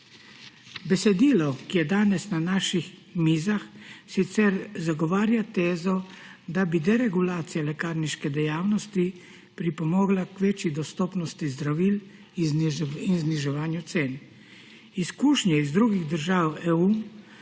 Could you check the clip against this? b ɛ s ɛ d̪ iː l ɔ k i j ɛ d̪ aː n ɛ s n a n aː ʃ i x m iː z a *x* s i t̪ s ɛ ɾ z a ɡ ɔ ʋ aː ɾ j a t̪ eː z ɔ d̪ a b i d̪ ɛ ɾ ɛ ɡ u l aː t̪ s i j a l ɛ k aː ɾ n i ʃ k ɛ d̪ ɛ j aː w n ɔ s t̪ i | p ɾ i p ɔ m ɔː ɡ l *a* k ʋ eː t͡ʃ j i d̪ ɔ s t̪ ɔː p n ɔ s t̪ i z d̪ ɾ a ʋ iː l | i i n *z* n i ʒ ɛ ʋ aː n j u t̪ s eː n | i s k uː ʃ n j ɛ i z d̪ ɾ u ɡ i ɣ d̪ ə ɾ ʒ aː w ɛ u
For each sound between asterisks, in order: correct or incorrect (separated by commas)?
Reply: correct, correct, correct